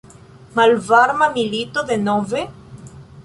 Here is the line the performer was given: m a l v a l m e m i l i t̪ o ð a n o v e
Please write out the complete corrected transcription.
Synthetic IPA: m a l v a ɾ m a m i l i t̪ o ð e n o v e